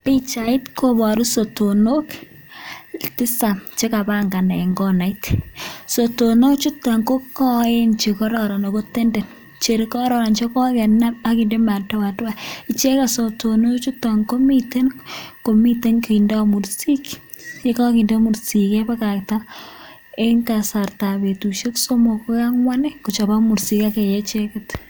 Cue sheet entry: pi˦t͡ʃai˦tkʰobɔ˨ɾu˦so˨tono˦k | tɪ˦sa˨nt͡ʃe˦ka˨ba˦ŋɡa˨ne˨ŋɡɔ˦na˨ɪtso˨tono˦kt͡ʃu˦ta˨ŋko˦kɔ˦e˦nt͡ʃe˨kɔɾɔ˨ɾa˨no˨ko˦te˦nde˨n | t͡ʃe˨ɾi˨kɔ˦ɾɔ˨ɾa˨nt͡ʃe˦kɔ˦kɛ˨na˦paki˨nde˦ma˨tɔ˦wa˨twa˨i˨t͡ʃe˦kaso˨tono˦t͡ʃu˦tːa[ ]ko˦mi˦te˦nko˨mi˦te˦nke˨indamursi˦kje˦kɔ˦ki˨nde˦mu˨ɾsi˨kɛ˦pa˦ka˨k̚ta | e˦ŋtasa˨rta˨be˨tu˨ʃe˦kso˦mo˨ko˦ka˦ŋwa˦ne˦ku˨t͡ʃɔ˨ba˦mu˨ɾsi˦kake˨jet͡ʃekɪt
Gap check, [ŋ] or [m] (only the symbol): ŋ